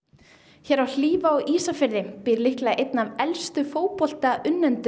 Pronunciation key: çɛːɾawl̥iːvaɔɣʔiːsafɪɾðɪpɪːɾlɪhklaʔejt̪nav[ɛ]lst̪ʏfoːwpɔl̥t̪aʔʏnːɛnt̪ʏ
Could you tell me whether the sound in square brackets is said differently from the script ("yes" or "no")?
no